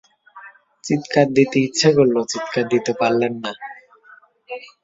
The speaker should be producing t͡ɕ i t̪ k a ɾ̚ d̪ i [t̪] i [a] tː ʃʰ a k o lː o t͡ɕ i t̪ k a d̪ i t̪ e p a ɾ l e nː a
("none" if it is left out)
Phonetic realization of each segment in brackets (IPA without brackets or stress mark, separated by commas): t̪, i